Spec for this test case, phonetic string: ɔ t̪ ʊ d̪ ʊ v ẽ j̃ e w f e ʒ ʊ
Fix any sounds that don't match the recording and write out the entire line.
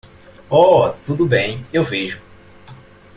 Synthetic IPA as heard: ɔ t̪ u d̪ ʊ b ẽ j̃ e w v e ʒ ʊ